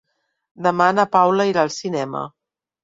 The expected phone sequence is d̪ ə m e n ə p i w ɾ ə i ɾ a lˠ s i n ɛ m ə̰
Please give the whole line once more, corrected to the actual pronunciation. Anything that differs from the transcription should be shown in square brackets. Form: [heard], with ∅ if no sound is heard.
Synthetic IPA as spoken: d̪ ə m [a] n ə p [a] w [l] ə i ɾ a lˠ s i n ɛ m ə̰